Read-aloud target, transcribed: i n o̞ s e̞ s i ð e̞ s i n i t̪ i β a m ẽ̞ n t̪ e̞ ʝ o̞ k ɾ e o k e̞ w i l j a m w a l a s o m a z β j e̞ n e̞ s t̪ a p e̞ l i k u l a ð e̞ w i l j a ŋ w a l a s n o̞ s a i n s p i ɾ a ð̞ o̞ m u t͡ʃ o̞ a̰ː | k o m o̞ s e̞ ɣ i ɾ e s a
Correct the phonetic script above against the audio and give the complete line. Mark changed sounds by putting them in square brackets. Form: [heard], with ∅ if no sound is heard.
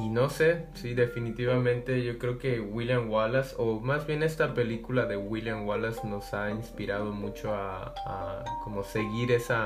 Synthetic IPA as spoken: i n o̞ s e̞ s i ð e̞ [f] i n i t̪ i β a m ẽ̞ n t̪ e̞ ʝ o̞ k ɾ e o k e̞ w i l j a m w a l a s o m a z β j e̞ n e̞ s t̪ a p e̞ l i k u l a ð e̞ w i l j a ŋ w a l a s n o̞ s a i n s p i ɾ a ð̞ o̞ m u t͡ʃ o̞ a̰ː | k o m o̞ s e̞ ɣ i ɾ e s a